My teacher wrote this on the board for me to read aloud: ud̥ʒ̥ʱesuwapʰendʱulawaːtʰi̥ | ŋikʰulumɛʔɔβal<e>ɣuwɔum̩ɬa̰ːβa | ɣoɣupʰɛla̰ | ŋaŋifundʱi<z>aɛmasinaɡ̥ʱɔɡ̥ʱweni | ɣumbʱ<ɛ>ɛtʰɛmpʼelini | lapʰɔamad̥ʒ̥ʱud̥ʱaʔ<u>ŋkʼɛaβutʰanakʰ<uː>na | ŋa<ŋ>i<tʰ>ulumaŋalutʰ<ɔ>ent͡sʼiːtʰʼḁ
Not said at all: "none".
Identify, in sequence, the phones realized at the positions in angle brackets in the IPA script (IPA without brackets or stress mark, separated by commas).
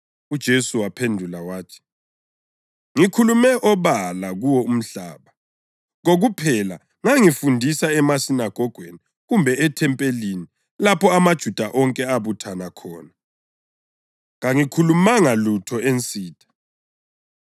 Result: a, s, ɛ, ɔ, ɔː, ŋ, kʰ, ɔ